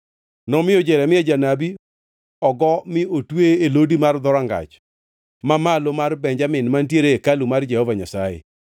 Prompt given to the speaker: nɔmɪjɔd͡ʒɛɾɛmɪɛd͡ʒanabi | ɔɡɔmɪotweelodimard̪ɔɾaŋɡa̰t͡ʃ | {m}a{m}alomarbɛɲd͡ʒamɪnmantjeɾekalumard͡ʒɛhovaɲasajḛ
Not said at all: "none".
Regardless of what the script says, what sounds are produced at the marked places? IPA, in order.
m, m

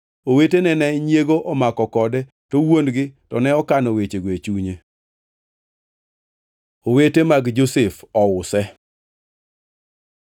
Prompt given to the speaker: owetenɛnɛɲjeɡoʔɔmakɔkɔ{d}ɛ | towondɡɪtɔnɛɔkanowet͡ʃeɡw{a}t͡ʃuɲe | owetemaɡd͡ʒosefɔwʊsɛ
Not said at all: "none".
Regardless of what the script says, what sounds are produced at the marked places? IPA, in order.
d, e

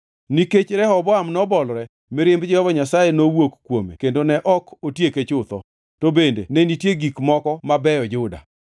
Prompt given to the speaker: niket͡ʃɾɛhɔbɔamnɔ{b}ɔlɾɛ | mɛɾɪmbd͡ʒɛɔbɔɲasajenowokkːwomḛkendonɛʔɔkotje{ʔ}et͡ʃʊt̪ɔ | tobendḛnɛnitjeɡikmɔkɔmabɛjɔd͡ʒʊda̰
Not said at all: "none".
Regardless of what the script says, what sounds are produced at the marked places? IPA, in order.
b, k

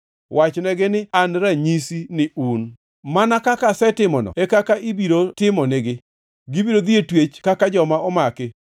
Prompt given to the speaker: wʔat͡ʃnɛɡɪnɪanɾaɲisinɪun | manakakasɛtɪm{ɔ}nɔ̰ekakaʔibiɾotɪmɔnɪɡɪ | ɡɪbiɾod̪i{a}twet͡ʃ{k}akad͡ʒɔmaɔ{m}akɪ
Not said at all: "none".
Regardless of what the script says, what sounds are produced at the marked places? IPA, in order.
ɔ, e, k, m

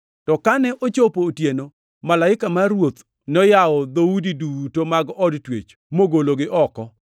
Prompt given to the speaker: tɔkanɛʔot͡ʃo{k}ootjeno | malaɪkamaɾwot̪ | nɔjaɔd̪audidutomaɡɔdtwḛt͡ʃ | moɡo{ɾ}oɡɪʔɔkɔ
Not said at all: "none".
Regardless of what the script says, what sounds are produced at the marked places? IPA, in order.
p, l

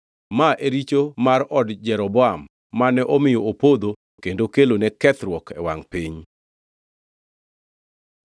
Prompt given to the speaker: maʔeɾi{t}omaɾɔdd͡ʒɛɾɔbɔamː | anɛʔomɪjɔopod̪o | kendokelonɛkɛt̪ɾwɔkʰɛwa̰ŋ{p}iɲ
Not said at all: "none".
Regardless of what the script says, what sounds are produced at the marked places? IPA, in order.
t͡ʃ, p

